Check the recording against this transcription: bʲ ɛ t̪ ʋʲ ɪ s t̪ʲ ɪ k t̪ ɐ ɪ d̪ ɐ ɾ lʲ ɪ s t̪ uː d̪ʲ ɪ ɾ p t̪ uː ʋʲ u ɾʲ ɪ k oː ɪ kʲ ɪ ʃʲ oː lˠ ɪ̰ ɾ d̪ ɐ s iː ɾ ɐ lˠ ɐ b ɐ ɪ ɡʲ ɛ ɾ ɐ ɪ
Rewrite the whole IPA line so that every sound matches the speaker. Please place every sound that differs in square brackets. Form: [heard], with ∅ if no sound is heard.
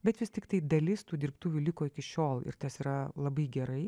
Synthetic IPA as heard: bʲ ɛ t̪ ʋʲ ɪ s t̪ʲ ɪ k t̪ ɐ ɪ d̪ ɐ [∅] lʲ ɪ s t̪ uː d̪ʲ ɪ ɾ p t̪ uː ʋʲ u [lʲ] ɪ k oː ɪ kʲ ɪ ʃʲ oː lˠ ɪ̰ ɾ [t̪] ɐ s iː ɾ ɐ lˠ ɐ b ɐ ɪ ɡʲ ɛ ɾ ɐ ɪ